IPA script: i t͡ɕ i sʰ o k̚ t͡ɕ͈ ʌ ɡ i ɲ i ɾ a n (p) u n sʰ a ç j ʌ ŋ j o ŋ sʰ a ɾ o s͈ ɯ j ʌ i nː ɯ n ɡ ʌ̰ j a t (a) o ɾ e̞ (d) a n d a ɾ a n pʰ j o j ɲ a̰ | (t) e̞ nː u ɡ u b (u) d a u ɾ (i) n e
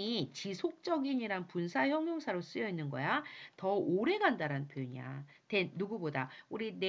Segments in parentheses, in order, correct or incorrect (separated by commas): correct, incorrect, incorrect, correct, incorrect, correct